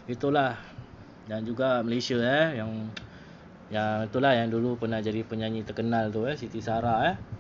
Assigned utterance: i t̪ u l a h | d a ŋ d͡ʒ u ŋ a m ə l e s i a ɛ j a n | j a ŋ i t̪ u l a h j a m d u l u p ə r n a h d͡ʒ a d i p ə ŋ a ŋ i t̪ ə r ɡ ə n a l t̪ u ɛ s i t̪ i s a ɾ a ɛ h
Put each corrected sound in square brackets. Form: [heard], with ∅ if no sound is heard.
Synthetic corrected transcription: i t̪ u l a h | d a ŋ d͡ʒ u [ɡ] a m ə l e s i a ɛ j a [ŋ] | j a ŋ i t̪ u l a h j a [ŋ] d u l u p ə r n a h d͡ʒ a d i p ə [ɲ] a [ɲ] i t̪ ə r [k] ə n a l t̪ u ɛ s i t̪ i s a ɾ a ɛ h